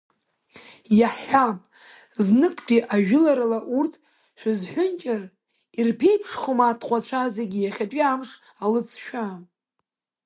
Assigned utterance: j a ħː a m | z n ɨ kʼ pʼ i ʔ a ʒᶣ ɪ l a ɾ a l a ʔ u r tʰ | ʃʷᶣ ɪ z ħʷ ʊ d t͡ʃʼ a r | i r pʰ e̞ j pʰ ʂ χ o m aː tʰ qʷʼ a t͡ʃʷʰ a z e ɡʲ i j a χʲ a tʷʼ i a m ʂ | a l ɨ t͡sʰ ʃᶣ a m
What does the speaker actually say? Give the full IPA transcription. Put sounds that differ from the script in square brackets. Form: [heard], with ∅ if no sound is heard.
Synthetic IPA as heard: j a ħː a m | z n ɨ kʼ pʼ i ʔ a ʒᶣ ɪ l a ɾ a l a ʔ u r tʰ | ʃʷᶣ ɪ z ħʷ ʊ [n] t͡ʃʼ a r | i r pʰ e̞ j pʰ ʂ χ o m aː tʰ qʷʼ a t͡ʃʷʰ a z e ɡʲ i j a χʲ a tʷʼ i a m ʂ | a l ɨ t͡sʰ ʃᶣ a m

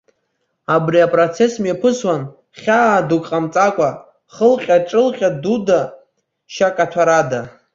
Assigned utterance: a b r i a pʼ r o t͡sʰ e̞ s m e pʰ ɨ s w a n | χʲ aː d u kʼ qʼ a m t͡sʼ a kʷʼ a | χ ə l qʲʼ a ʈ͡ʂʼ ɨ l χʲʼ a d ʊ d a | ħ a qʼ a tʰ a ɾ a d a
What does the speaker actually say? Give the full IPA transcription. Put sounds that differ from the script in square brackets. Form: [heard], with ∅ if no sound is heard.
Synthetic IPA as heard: a b r i a pʼ r o t͡sʰ e̞ s m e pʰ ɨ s w a n | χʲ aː d u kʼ qʼ a m t͡sʼ a kʷʼ a | χ ə l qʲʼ a ʈ͡ʂʼ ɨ l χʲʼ a d [u] d a | [ʃ] a [kʼ] a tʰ a ɾ a d a

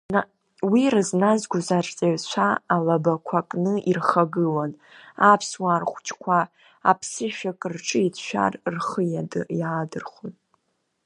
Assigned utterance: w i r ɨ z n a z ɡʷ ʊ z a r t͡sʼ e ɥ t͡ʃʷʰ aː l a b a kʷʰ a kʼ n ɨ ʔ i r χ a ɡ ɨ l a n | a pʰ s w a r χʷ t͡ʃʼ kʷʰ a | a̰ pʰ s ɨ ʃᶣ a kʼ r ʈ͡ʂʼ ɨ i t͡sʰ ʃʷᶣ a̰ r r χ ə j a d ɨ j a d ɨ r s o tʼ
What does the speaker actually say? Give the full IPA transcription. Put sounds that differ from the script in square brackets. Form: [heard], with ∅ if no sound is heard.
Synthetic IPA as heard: w i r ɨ z n a z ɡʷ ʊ z a r t͡sʼ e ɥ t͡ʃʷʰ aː l a b a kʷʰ a kʼ n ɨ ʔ i r χ a ɡ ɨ l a n | a pʰ s w a r χʷ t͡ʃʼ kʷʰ a | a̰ pʰ s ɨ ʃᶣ a kʼ r ʈ͡ʂʼ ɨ i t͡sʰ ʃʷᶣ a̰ r r χ ə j a d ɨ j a d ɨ r [χ] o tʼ

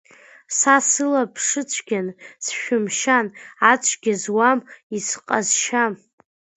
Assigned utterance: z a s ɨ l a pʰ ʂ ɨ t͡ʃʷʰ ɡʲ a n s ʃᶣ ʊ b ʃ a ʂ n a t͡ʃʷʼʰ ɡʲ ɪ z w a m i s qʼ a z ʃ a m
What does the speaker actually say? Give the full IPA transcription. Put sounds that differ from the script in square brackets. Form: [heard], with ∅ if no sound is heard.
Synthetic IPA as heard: [s] a s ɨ l a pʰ ʂ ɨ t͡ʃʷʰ ɡʲ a n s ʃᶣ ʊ [m] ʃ a [∅] n a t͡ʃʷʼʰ ɡʲ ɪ z w a m i s qʼ a z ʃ a m

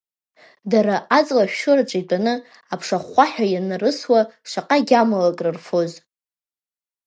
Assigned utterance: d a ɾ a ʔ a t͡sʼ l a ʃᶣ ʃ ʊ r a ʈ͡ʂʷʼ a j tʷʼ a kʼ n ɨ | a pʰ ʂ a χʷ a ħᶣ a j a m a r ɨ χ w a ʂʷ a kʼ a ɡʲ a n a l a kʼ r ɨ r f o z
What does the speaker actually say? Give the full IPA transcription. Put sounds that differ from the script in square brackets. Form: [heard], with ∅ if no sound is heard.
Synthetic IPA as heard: d a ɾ a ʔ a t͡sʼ l a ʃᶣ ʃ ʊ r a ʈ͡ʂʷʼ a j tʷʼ a [∅] n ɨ | a pʰ ʂ a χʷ a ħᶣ a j a [n] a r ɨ [s] w a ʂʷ a [qʼ] a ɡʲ a [m] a l a kʼ r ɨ r f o z

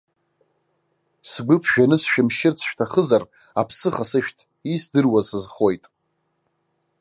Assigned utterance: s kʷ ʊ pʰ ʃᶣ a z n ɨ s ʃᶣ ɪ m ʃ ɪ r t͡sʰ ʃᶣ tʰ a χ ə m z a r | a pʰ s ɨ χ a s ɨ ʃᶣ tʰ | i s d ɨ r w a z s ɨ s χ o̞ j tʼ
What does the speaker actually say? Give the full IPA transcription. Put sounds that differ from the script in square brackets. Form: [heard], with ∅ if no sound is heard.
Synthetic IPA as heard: s [ɡʷ] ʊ pʰ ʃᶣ a [∅] n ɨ s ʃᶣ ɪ m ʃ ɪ r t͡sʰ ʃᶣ tʰ a χ ə [∅] z a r | a pʰ s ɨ χ a s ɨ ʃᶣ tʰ | i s d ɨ r w a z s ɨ [z] χ o̞ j tʼ

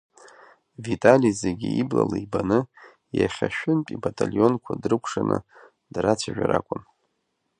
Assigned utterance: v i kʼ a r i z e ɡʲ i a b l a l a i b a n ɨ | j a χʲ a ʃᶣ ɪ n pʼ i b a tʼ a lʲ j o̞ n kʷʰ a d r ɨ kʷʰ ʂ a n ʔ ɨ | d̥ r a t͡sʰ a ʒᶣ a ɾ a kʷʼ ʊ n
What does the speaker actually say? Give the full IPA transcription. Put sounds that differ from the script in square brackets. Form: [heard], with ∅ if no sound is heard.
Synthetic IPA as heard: v i [tʼ] a [l] i z e ɡʲ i [i] b l a l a i b a n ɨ | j a χʲ a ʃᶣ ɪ n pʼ i b a tʼ a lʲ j o̞ n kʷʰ a d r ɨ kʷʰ ʂ a n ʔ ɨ | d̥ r a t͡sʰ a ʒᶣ a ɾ a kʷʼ ʊ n

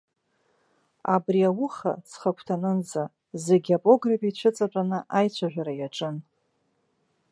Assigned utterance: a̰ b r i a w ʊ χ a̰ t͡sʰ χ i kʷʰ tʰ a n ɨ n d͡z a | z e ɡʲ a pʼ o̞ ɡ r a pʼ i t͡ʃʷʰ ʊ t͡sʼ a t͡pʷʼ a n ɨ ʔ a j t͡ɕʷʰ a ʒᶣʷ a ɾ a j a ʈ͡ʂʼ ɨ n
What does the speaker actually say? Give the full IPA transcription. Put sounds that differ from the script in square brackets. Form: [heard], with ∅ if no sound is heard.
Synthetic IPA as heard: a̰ b r i a w ʊ χ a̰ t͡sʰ χ [a] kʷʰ tʰ a n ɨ n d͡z a | z e ɡʲ a pʼ o̞ ɡ r a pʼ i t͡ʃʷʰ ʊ t͡sʼ a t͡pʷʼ a n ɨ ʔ a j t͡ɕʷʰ a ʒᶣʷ a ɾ a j a ʈ͡ʂʼ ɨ n

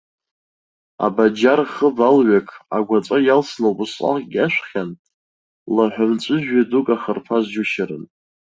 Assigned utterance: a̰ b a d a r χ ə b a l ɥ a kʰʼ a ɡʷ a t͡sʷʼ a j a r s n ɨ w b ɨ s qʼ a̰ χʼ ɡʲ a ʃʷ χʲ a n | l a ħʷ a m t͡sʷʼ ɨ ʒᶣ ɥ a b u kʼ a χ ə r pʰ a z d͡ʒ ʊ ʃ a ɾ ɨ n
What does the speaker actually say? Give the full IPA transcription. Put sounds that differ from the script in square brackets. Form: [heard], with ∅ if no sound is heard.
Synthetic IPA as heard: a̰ b a [d͡ʒ] a r χ ə b a l ɥ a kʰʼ a ɡʷ a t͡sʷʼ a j a [l] s n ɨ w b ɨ s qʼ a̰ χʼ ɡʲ a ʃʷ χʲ a n | l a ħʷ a m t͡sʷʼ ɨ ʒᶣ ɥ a [d] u kʼ a χ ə r pʰ a z d͡ʒ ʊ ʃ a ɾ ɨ n

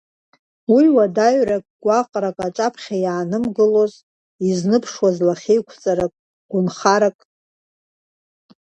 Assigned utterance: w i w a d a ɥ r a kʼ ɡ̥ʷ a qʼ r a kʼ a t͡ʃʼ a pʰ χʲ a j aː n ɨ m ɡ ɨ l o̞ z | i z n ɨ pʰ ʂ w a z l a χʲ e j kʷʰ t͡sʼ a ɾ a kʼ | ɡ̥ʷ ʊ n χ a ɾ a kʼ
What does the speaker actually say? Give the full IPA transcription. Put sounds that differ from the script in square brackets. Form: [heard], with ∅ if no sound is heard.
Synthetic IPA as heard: w i w a d a ɥ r a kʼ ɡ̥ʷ a qʼ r a kʼ a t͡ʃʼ a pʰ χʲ a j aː n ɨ m ɡ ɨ l o̞ z | i z n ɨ pʰ ʂ w a z l a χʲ e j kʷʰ t͡sʼ a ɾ a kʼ | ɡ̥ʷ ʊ n χ a ɾ a kʼ

